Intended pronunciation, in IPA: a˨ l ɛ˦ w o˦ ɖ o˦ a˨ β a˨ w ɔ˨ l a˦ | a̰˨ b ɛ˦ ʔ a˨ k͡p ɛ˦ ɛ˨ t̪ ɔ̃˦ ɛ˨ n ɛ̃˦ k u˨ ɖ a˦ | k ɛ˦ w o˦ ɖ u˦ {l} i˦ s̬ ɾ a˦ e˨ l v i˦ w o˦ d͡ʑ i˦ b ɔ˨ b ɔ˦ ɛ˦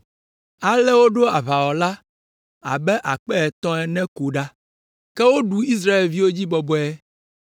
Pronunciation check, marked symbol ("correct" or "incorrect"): incorrect